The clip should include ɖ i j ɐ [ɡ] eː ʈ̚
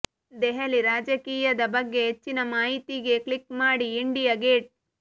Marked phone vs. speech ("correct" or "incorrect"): correct